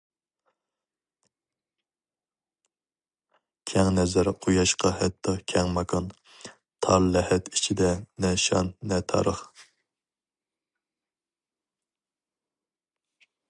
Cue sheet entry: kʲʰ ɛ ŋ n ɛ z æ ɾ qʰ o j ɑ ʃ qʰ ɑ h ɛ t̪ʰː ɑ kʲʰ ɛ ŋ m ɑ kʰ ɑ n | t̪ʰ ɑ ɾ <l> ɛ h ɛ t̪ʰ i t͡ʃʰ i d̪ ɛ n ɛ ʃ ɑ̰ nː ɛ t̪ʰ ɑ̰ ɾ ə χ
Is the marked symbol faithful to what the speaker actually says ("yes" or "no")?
yes